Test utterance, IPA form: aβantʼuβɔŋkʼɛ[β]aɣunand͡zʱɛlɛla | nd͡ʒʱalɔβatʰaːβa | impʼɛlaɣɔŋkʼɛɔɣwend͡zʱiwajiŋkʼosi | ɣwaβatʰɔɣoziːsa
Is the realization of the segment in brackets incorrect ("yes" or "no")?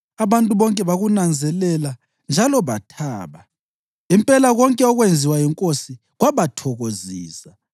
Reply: no